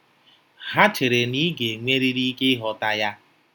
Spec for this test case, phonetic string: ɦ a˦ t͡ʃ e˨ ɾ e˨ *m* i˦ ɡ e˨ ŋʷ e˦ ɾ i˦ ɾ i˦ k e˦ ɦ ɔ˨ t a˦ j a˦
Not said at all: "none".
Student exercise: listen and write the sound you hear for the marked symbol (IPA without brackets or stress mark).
n